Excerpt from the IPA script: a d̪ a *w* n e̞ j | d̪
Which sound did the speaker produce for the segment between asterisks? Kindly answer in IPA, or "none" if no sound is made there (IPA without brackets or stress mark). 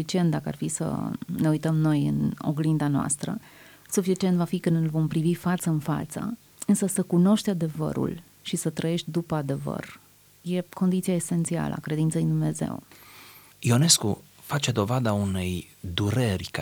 u